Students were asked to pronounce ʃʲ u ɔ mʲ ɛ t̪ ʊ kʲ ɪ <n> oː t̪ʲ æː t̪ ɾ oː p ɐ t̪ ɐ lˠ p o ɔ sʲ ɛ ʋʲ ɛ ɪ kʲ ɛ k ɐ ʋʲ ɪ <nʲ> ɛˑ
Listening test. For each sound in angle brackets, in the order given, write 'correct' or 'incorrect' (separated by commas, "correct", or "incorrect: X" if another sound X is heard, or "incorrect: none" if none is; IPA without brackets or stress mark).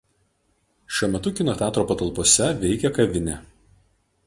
correct, correct